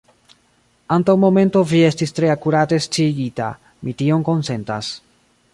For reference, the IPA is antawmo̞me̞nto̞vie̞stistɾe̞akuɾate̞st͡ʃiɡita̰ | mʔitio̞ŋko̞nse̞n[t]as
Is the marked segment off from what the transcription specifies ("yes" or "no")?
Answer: no